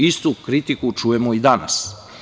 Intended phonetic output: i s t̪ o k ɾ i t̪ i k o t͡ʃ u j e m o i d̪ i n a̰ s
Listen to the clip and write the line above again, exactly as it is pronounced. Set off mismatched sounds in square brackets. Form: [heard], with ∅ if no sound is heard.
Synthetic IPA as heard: i s t̪ [u] k ɾ i t̪ i k [u] t͡ʃ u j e m o i d̪ [a] n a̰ s